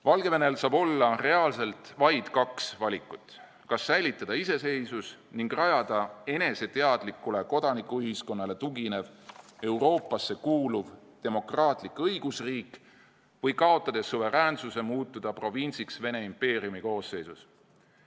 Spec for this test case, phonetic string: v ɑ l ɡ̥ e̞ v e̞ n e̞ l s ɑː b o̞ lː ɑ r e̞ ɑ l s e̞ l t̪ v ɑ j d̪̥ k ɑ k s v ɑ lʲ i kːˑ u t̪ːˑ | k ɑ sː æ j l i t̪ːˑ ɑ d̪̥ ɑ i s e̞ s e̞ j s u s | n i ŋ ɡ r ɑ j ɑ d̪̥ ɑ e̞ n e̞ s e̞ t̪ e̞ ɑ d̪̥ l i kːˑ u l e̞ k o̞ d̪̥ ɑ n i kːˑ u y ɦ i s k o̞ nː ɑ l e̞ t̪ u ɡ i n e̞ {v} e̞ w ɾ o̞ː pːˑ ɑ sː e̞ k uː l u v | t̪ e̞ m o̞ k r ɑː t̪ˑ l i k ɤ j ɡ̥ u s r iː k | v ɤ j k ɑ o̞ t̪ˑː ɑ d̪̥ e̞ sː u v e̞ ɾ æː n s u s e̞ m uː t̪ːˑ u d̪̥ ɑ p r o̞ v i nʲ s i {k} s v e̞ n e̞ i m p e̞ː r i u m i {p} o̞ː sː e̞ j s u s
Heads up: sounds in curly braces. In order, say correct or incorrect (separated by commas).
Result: correct, correct, incorrect